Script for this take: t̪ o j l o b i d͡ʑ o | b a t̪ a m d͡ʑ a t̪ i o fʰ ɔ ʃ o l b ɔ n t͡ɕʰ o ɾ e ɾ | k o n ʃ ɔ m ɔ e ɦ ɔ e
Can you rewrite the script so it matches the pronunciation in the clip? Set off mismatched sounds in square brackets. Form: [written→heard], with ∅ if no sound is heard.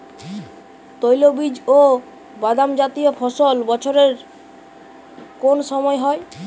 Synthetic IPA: t̪ o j l o b i d͡ʑ o | b a [t̪→d̪] a m d͡ʑ a t̪ i o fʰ ɔ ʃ o l b ɔ [n→∅] t͡ɕʰ o ɾ e ɾ | k o n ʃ ɔ m ɔ e ɦ ɔ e